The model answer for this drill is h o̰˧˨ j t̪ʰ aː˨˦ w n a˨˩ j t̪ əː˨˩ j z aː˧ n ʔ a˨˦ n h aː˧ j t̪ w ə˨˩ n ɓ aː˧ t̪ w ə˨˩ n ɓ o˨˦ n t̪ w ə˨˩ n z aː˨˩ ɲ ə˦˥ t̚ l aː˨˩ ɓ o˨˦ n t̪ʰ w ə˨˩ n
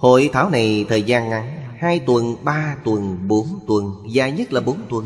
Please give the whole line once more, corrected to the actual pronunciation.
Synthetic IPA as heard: h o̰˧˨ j t̪ʰ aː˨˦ w n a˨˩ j t̪ʰ əː˨˩ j z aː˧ n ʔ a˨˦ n h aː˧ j t̪ w ə˨˩ n ɓ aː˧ t̪ w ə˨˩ n ɓ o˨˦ n t̪ w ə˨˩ n z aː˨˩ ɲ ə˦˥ t̚ l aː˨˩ ɓ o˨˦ n t̪ w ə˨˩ n